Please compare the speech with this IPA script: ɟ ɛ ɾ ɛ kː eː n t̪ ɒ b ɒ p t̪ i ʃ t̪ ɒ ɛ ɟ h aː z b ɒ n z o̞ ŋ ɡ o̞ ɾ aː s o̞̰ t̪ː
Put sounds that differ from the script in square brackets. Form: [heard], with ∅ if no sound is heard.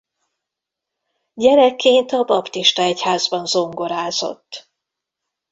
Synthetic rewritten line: ɟ ɛ ɾ ɛ kː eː n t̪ ɒ b ɒ p t̪ i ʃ t̪ ɒ ɛ [c] h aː z b ɒ n z o̞ ŋ ɡ o̞ ɾ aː [z] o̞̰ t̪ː